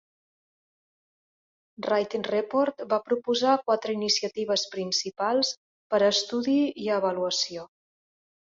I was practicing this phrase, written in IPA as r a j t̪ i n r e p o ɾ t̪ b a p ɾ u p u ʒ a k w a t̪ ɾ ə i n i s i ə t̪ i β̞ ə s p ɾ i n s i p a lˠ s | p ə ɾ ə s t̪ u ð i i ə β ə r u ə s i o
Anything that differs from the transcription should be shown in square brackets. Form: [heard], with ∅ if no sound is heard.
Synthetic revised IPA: r a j t̪ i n r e p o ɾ t̪ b a p ɾ u p u [z] a k w a t̪ ɾ ə i n i s i ə t̪ i β̞ ə s p ɾ i n s i p a lˠ s | p ə ɾ ə s t̪ u ð i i ə β ə [l] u ə s i o